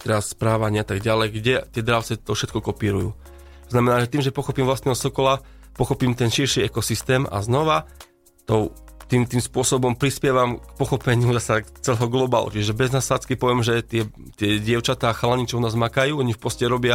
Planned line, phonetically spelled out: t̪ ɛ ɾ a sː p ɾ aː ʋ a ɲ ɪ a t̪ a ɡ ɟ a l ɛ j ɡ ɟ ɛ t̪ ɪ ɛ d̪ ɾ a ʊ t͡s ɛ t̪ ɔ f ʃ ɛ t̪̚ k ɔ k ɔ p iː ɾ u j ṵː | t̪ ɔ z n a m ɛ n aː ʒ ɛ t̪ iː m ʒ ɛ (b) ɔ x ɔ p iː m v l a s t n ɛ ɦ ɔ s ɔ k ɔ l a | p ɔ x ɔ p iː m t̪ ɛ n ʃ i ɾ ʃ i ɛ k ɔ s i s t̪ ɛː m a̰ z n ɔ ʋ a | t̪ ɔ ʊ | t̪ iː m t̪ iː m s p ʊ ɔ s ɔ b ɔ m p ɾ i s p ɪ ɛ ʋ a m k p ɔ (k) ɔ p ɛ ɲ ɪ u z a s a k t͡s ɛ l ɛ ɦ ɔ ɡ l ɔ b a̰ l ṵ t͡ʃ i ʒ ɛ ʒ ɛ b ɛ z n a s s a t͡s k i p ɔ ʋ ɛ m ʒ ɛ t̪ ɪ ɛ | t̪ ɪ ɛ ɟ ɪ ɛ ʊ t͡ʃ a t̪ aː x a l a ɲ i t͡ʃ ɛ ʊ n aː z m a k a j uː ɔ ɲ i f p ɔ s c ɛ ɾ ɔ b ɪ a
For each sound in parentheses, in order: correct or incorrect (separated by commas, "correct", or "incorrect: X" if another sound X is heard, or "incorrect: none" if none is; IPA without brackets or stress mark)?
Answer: incorrect: p, incorrect: x